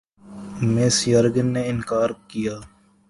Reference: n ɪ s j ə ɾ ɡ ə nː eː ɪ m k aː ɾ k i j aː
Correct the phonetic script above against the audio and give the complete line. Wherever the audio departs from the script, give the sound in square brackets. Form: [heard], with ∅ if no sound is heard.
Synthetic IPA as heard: [m] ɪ s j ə ɾ ɡ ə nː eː ɪ [n] k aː ɾ k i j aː